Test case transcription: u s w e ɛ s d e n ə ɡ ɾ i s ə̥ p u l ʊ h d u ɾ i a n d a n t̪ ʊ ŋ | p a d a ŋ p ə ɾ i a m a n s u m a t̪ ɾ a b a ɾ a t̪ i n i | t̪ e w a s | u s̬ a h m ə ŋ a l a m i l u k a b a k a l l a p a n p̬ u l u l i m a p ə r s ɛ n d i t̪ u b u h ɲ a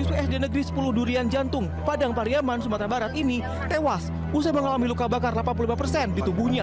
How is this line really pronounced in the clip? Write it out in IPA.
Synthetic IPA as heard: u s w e ɛ s d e n ə ɡ ɾ i s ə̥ p u l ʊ h d u ɾ i a n d͡ʒ a n t̪ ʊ ŋ | p a d a ŋ p a ɾ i a m a n s u m a t̪ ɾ a b a ɾ a t̪ i n i | t̪ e w a s | u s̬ a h m ə ŋ a l a m i l u k a b a k a r l a p a n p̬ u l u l i m a p ə r s ɛ n d i t̪ u b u h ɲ a